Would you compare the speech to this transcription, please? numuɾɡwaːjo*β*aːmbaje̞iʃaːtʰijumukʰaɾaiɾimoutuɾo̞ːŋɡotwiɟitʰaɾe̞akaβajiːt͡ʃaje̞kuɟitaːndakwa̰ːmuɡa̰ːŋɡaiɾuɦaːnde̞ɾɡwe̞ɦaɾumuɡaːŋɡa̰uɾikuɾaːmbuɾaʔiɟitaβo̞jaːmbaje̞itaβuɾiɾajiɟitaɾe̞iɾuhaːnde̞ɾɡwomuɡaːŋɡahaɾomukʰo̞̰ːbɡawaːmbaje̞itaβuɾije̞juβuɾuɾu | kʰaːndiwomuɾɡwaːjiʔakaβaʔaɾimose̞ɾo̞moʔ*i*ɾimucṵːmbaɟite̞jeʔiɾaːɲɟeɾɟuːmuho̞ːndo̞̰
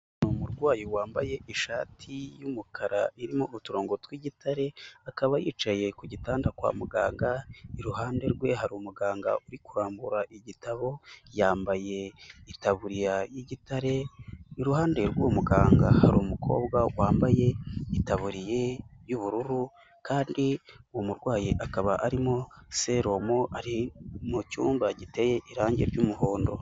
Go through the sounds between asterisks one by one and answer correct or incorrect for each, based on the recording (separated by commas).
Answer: incorrect, incorrect